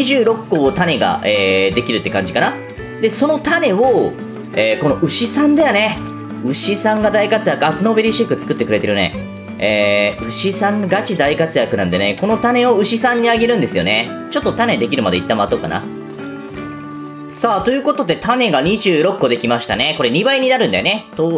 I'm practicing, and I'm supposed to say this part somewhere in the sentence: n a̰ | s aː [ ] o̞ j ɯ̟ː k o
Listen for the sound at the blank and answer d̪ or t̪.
t̪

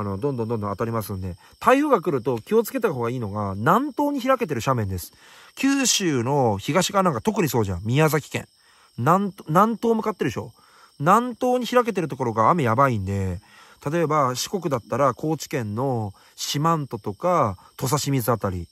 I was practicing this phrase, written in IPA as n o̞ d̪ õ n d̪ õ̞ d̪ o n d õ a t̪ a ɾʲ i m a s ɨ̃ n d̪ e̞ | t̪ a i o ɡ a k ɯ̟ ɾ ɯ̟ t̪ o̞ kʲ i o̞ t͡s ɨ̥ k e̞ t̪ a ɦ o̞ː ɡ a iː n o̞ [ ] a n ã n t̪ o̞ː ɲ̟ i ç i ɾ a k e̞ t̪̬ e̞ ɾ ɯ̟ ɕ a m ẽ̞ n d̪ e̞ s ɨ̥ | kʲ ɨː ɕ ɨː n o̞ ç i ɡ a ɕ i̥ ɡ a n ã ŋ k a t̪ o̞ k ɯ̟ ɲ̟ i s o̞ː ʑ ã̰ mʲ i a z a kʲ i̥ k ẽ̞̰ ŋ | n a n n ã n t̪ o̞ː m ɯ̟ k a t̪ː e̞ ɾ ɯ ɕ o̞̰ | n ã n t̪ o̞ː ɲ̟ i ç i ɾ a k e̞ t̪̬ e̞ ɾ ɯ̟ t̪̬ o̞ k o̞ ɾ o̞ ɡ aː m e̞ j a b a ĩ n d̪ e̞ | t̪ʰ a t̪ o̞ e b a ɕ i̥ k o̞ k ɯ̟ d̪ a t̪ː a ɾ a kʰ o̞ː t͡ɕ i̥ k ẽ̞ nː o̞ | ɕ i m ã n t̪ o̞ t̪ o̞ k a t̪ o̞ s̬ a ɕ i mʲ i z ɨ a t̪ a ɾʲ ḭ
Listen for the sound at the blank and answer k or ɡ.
ɡ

